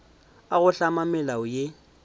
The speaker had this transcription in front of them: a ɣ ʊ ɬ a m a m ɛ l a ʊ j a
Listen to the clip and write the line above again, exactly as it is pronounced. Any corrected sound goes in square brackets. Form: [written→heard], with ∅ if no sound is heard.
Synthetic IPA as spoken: a ɣ ʊ ɬ a m a m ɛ l a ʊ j [a→e]